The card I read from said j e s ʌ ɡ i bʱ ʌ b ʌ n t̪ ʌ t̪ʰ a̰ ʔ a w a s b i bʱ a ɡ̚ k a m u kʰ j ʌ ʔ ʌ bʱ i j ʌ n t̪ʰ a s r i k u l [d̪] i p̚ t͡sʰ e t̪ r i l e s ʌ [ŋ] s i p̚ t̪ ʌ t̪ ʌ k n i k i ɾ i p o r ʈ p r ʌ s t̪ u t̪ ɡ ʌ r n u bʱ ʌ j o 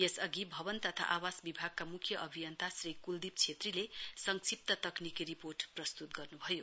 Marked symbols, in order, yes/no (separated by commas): yes, yes